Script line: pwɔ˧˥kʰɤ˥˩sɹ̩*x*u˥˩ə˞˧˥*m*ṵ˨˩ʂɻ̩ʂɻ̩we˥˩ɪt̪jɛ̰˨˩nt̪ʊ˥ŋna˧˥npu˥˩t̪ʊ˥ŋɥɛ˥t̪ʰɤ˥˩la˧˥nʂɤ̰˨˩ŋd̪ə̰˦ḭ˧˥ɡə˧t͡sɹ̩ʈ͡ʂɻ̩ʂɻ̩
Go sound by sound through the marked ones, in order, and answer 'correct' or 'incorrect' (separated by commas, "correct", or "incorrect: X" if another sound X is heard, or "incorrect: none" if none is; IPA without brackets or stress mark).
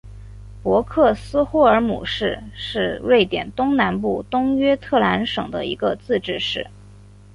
correct, correct